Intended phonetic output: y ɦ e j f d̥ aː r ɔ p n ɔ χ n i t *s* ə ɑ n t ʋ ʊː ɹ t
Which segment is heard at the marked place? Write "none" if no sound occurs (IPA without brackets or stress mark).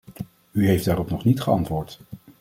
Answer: χ